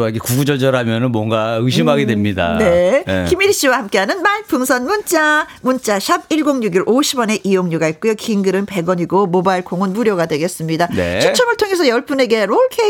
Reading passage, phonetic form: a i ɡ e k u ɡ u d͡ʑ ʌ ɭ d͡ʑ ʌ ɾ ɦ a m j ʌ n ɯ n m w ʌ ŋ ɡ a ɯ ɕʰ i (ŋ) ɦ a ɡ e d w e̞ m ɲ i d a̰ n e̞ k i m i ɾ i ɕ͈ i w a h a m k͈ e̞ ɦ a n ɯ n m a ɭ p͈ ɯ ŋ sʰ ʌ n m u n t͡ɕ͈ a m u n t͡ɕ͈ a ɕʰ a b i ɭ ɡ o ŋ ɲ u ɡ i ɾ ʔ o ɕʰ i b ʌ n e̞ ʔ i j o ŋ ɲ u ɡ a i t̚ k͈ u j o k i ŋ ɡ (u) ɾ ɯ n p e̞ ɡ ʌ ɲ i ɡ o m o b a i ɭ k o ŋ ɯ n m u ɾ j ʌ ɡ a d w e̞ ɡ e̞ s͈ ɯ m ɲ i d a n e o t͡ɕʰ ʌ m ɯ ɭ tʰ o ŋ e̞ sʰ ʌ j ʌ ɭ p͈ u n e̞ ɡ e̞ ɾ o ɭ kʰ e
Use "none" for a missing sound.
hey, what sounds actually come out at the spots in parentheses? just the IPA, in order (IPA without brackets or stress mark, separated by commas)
m, ɯ